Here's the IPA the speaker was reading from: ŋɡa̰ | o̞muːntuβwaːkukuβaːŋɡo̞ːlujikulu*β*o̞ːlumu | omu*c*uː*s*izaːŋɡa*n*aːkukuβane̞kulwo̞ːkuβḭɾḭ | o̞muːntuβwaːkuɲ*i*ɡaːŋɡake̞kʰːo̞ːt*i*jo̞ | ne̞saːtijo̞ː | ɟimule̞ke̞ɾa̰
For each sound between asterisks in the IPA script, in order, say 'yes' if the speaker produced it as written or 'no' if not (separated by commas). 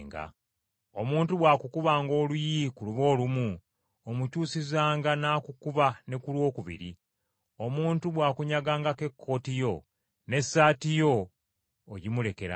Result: yes, yes, yes, yes, no, yes